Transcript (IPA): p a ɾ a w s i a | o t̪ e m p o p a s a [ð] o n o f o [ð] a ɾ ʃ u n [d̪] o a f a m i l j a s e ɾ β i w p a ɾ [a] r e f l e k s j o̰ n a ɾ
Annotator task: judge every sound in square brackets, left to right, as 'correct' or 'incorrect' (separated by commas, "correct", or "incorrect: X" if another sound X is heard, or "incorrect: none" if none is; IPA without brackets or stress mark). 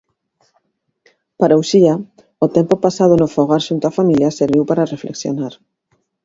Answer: correct, incorrect: ɣ, incorrect: t̪, correct